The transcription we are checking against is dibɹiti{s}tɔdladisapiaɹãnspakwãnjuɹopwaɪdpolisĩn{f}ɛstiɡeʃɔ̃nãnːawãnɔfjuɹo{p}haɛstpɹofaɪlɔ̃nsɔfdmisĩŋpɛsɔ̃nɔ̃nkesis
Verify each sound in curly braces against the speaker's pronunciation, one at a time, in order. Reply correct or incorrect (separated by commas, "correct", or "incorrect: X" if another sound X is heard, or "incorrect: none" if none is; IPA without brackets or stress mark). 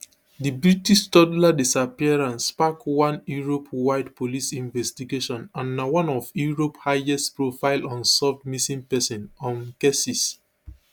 incorrect: ʃ, incorrect: v, correct